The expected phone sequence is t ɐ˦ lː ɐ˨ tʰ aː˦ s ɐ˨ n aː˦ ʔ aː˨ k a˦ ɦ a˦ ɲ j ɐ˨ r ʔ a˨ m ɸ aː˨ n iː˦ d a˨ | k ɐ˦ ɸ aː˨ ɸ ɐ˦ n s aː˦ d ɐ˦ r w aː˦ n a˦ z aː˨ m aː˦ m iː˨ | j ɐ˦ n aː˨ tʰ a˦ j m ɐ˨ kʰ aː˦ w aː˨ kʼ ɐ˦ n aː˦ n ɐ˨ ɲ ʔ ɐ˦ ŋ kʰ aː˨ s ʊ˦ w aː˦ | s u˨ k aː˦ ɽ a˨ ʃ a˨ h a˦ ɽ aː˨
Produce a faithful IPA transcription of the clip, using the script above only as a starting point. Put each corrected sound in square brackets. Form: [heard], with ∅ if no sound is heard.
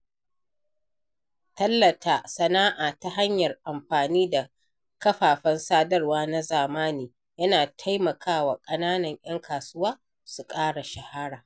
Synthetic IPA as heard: t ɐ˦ lː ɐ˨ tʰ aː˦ s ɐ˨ n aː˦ ʔ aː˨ [t] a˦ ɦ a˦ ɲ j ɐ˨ r ʔ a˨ m ɸ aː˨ n iː˦ d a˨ | k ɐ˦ ɸ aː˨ ɸ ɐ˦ n s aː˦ d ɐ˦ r w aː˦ n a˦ z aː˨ m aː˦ [n] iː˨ | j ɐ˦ n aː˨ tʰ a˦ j m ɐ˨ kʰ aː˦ w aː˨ kʼ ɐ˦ n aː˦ n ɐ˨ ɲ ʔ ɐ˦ ŋ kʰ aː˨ s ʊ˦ w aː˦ | s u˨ [kʼ] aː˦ ɽ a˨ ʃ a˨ h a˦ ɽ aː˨